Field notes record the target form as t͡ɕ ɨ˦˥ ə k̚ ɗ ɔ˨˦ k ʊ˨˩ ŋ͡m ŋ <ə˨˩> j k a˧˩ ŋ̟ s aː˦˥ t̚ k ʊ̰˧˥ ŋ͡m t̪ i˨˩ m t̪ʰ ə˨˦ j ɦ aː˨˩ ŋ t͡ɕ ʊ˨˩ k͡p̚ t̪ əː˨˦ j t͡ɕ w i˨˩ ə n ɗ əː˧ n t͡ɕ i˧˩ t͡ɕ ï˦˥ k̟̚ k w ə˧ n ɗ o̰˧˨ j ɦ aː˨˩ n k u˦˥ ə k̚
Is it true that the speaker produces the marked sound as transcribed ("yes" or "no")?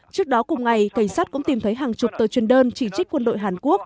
no